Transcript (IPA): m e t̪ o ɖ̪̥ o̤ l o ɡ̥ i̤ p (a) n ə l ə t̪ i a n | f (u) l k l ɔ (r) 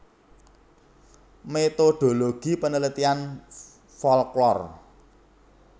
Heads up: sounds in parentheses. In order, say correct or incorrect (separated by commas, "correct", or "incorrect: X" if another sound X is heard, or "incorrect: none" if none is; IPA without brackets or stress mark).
incorrect: ə, incorrect: ɔ, correct